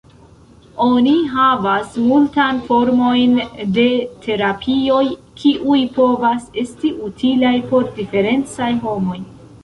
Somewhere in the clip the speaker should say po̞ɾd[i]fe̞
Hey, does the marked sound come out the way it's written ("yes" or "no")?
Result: yes